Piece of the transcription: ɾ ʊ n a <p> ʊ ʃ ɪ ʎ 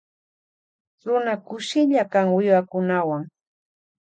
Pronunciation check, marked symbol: incorrect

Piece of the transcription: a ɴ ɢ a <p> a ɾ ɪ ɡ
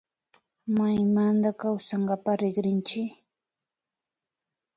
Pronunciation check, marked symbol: correct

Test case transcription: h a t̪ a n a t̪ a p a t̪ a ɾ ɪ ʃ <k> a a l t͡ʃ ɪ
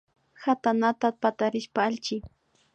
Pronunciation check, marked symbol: incorrect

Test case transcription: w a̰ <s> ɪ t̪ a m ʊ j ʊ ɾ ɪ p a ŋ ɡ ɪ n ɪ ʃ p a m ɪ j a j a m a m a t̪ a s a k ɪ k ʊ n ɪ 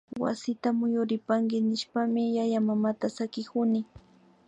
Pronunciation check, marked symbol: correct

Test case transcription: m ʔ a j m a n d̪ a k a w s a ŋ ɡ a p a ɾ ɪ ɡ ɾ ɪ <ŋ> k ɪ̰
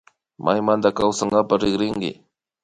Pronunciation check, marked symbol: correct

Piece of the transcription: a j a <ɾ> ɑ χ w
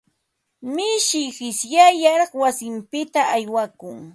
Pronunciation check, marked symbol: correct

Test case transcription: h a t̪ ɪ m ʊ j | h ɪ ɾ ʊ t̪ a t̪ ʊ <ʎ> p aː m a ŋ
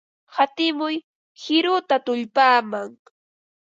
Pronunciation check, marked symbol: correct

